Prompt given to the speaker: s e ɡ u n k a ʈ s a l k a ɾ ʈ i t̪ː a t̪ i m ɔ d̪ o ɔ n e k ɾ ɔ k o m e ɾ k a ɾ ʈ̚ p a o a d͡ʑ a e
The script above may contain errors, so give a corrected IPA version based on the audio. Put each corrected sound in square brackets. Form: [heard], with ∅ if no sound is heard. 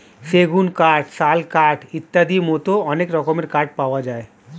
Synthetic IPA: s e ɡ u n k a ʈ s a l k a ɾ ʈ i t̪ː a [d̪] i m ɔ [t̪] o ɔ n e k ɾ ɔ k o m e ɾ k a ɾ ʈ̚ p a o a d͡ʑ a e